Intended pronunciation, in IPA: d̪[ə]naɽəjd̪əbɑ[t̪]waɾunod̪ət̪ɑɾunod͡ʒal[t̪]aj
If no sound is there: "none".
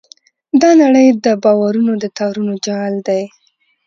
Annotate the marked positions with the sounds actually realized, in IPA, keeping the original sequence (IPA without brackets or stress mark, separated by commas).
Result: ɑ, none, d̪